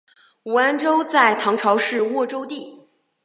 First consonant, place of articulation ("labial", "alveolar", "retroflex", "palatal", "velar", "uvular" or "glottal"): alveolar